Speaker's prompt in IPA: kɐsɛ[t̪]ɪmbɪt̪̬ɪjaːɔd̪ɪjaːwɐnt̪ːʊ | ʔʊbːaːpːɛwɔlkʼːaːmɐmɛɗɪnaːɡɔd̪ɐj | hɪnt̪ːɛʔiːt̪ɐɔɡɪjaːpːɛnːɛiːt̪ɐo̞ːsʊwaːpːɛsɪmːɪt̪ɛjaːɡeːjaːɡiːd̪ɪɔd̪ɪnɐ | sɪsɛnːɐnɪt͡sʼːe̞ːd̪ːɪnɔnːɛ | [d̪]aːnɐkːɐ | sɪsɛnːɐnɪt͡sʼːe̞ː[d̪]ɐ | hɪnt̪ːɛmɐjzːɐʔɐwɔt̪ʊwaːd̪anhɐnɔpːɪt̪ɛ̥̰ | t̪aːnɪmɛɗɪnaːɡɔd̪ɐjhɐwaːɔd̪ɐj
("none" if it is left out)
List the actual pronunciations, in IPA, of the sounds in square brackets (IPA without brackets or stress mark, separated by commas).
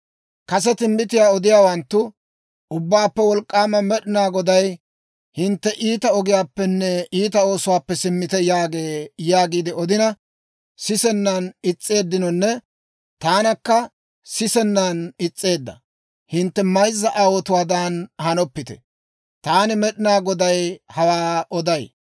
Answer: t̪, t̪, d̪ː